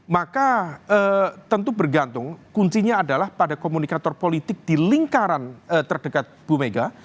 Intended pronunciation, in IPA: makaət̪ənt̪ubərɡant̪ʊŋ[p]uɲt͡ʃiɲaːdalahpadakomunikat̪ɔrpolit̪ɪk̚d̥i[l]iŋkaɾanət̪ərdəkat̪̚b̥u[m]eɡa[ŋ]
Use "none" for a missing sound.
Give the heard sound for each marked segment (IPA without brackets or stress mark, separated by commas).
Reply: k, l, m, none